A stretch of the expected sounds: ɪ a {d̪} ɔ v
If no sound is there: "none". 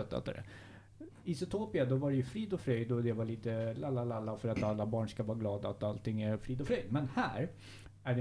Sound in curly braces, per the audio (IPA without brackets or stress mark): d̪